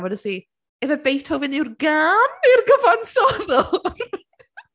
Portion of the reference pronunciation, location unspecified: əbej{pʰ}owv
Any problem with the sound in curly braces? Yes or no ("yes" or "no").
yes